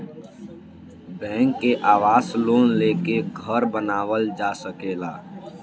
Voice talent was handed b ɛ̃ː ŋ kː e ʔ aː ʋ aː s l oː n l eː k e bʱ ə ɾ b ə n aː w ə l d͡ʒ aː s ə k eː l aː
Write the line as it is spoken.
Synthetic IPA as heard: b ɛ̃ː ŋ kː e ʔ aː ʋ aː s l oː n l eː k e ɡʱ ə ɾ b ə n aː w ə l d͡ʒ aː s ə k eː l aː